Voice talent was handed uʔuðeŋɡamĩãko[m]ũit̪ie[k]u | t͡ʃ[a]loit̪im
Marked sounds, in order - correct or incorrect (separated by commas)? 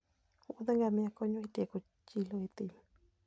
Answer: incorrect, correct, incorrect